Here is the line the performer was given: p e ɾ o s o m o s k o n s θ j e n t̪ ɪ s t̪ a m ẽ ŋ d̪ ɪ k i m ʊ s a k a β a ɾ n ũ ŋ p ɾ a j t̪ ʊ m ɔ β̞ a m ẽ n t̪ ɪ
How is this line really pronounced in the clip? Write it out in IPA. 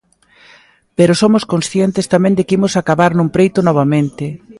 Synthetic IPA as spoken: p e ɾ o s o m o s k o n s θ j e n t̪ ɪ s t̪ a m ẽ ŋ d̪ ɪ k i m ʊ s a k a β a ɾ n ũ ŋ p ɾ e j t̪ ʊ n ɔ β̞ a m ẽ n t̪ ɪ